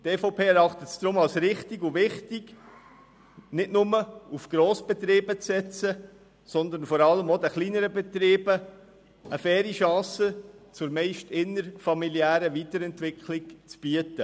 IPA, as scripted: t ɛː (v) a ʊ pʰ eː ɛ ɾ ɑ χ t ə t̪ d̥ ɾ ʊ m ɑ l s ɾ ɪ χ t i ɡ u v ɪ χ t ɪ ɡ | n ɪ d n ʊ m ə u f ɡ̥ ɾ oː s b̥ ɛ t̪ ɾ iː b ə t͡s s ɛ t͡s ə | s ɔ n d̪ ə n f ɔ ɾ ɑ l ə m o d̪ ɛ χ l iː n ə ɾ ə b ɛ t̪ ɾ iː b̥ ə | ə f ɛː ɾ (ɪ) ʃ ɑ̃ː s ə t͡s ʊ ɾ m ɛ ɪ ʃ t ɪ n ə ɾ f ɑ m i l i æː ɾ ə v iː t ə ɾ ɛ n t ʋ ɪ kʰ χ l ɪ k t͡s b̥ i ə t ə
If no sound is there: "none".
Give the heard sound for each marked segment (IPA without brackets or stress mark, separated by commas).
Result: f, i